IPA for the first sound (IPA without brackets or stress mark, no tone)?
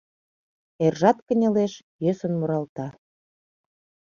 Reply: e